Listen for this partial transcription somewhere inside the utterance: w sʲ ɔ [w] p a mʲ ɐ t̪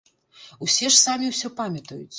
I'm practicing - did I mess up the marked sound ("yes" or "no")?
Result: yes